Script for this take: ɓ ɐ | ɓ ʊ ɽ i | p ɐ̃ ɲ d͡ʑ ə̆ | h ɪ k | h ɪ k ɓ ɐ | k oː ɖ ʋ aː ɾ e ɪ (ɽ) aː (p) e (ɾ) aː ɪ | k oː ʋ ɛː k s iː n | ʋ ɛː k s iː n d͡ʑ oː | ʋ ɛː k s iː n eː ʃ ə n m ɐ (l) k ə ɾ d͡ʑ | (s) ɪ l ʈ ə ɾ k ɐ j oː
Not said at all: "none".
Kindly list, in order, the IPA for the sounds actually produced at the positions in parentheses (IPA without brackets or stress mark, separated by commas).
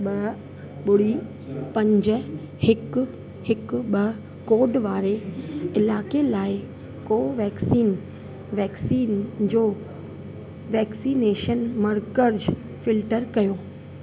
l, k, l, ɾ, f